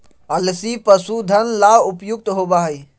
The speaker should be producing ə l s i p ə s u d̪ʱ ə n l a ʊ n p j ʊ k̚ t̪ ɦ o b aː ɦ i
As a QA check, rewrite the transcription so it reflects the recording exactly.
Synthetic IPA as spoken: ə l s i p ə s u d̪ʱ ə n l a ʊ p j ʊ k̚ t̪ ɦ o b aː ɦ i